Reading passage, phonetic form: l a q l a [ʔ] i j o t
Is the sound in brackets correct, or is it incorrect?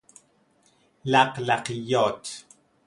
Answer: incorrect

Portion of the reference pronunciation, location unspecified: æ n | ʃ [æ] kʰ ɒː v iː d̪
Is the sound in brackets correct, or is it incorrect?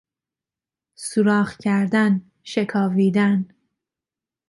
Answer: incorrect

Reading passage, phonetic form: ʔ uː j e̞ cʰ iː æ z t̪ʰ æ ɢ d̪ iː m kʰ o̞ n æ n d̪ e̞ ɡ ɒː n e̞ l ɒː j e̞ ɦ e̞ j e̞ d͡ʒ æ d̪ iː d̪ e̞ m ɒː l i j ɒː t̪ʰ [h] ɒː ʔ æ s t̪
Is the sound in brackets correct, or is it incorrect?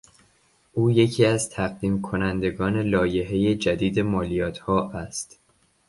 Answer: correct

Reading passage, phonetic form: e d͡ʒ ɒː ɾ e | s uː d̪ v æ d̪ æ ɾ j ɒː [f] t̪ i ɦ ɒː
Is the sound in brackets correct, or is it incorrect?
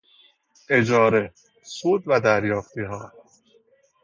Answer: correct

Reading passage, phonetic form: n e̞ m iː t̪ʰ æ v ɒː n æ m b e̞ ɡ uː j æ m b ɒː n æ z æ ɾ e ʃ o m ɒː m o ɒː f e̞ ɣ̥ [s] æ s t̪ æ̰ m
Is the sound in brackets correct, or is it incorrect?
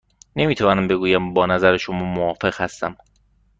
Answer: incorrect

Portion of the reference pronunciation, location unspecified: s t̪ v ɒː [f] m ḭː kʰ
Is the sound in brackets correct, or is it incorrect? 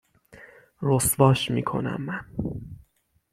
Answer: incorrect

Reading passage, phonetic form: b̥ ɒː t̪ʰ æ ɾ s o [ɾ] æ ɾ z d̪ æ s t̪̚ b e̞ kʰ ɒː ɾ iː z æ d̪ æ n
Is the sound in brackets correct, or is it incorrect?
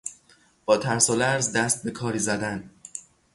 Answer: incorrect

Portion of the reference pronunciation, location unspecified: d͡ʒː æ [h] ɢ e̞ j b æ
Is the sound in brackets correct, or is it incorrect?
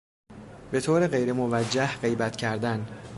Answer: correct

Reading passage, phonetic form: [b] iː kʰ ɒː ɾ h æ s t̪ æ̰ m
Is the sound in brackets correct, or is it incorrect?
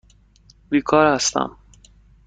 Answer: correct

